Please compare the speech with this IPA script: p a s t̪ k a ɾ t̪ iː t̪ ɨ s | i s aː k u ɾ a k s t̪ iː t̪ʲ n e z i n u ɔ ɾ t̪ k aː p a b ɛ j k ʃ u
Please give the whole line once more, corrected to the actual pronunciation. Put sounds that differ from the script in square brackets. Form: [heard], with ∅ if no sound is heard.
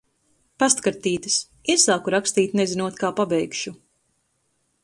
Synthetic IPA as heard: p a s t̪ k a ɾ t̪ iː t̪ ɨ s | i s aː k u ɾ a k s t̪ iː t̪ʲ n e z i n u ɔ [∅] t̪ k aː p a b ɛ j k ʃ u